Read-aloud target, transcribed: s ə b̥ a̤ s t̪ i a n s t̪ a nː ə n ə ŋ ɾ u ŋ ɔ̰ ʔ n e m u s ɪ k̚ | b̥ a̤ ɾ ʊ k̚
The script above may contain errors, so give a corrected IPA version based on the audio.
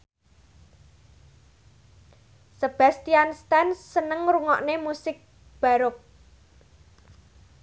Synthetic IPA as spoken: s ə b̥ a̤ s t̪ i a n s t̪ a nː ə n ə ŋ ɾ u ŋ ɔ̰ ʔ n e m u s ɪ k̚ | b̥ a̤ ɾ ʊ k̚